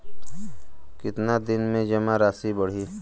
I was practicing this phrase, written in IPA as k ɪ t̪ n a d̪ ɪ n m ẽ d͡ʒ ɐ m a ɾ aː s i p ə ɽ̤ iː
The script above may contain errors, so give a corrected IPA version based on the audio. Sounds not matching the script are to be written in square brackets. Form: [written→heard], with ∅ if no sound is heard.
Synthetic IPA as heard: k ɪ t̪ n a d̪ ɪ n m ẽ d͡ʒ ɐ m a ɾ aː s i [p→b] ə ɽ̤ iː